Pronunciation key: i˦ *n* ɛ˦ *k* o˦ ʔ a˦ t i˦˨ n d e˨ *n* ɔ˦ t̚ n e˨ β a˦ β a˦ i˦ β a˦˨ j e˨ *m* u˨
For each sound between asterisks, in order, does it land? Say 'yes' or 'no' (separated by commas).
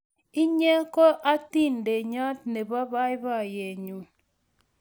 no, yes, no, no